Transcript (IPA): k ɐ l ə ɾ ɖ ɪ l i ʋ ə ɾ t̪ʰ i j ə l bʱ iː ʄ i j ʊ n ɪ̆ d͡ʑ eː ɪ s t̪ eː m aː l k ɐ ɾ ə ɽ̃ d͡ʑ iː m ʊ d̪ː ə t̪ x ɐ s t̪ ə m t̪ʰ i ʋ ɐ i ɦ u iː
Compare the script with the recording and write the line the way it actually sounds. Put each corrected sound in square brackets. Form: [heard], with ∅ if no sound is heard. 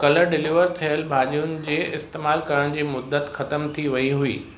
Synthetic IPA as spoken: k ɐ l ə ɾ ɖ ɪ l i ʋ ə ɾ t̪ʰ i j ə l bʱ [aː] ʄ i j ʊ n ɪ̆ d͡ʑ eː ɪ s t̪ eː m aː l k ɐ ɾ ə ɽ̃ d͡ʑ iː m ʊ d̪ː ə t̪ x ɐ [∅] t̪ ə m t̪ʰ i ʋ ɐ i ɦ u iː